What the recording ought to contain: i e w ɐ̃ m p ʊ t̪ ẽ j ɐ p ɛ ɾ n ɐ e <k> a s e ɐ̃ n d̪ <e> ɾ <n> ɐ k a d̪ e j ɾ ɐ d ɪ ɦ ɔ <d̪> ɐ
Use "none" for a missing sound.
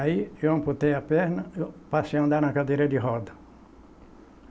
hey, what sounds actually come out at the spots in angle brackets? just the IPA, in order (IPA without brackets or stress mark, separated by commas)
p, a, n, d̪